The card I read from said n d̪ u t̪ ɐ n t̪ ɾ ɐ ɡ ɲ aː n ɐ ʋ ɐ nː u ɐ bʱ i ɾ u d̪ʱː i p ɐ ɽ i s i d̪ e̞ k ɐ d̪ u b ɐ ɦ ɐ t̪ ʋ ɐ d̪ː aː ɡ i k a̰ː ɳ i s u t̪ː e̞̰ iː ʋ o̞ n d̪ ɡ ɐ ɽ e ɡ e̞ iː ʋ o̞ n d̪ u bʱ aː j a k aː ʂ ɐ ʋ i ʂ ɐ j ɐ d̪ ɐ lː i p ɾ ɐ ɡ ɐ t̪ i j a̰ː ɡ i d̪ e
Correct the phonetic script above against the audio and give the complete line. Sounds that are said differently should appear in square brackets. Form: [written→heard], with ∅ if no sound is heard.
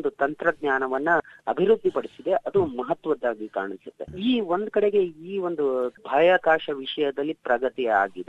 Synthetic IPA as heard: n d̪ u t̪ ɐ n t̪ ɾ ɐ ɡ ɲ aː n ɐ ʋ ɐ nː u ɐ bʱ i ɾ u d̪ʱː i p ɐ ɽ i s i d̪ e̞ [k→ʔ] ɐ d̪ u [b→m] ɐ ɦ ɐ t̪ ʋ ɐ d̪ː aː ɡ i k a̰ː ɳ i s u t̪ː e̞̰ iː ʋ o̞ n d̪ [ɡ→k] ɐ ɽ e ɡ e̞ iː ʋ o̞ n d̪ u bʱ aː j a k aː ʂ ɐ ʋ i ʂ ɐ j ɐ d̪ ɐ lː i p ɾ ɐ ɡ ɐ t̪ i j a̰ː ɡ i d̪ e